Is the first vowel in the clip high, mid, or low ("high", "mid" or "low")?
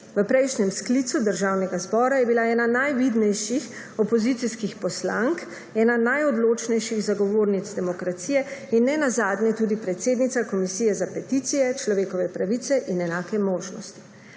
mid